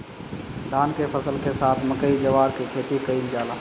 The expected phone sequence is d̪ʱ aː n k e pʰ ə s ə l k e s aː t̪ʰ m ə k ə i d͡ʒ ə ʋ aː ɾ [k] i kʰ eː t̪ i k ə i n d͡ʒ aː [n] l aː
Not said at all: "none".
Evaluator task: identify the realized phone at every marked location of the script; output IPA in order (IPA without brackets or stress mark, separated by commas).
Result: k, none